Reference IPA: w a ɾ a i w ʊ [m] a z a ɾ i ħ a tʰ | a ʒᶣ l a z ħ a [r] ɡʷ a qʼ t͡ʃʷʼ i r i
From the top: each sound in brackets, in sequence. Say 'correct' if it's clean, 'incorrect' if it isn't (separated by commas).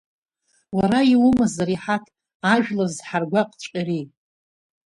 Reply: correct, correct